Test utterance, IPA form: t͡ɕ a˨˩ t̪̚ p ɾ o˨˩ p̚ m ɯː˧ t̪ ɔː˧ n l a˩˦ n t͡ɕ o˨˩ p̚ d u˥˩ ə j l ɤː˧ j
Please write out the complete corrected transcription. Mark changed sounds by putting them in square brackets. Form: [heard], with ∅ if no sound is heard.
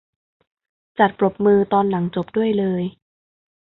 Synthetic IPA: t͡ɕ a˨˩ t̪̚ p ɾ o˨˩ p̚ m ɯː˧ t̪ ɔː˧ n l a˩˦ [ŋ] t͡ɕ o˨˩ p̚ d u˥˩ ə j l ɤː˧ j

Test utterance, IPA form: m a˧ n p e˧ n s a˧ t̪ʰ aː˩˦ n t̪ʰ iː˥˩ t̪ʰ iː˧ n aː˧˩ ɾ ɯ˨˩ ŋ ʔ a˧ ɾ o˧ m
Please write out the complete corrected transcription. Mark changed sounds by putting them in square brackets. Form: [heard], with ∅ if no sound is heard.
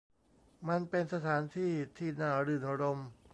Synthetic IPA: m a˧ n p e˧ n s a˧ t̪ʰ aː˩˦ n t̪ʰ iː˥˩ t̪ʰ [iː˥˩] n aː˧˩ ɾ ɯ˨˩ [n] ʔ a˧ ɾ o˧ m

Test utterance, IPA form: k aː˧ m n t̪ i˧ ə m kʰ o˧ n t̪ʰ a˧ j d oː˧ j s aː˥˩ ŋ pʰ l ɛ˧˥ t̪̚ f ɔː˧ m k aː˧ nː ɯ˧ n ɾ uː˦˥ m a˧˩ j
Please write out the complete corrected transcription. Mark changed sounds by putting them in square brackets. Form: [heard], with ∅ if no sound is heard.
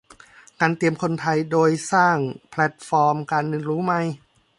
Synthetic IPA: k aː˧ [∅] n t̪ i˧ ə m kʰ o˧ n t̪ʰ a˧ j d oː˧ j s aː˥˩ ŋ pʰ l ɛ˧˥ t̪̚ f ɔː˧ m k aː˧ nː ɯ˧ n ɾ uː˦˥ m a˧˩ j

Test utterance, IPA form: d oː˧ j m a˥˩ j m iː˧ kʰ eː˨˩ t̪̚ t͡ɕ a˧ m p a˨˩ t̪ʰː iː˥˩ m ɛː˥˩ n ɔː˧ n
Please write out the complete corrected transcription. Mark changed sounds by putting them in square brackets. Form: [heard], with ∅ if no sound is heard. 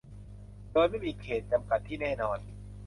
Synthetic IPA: d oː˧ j m a˥˩ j m iː˧ kʰ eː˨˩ t̪̚ t͡ɕ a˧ m [k] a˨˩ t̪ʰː iː˥˩ [n] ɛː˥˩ n ɔː˧ n

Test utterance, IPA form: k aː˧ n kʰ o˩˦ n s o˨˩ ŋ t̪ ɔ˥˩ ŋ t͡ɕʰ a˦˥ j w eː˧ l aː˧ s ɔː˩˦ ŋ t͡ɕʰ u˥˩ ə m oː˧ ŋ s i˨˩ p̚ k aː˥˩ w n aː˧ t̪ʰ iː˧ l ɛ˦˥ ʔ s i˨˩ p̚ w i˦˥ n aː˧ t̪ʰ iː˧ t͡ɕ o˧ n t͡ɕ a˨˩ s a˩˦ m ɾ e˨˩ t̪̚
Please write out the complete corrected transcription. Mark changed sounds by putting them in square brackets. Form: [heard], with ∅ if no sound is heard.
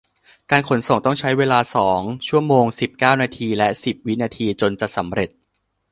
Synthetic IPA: k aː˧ n kʰ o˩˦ n s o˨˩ ŋ t̪ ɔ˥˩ ŋ t͡ɕʰ a˦˥ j w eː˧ l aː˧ s ɔː˩˦ ŋ t͡ɕʰ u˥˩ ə m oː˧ ŋ s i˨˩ p̚ k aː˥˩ w n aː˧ t̪ʰ iː˧ l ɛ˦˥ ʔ s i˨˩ p̚ w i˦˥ n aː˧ t̪ʰ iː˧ t͡ɕ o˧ n t͡ɕ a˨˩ s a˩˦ m ɾ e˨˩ t̪̚

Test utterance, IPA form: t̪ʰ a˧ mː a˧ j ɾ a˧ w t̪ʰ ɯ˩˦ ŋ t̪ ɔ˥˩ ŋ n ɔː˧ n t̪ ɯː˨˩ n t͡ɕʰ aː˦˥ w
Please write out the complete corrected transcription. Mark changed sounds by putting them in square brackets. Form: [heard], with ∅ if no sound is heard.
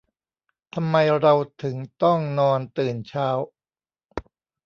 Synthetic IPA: t̪ʰ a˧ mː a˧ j ɾ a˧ w t̪ʰ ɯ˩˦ ŋ t̪ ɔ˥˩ ŋ n ɔː˧ n t̪ ɯː˨˩ n t͡ɕʰ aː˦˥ w

